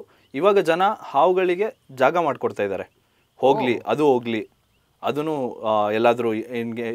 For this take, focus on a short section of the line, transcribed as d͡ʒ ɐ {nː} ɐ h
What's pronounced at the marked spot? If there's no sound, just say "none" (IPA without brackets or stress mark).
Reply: n